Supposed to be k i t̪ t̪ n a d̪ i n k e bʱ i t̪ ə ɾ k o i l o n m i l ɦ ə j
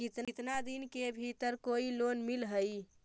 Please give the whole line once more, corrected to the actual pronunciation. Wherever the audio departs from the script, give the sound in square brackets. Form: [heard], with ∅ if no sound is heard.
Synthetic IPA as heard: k i t̪ t̪ n a d̪ i n k e bʱ i t̪ ə ɾ k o i l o n m i l ɦ ə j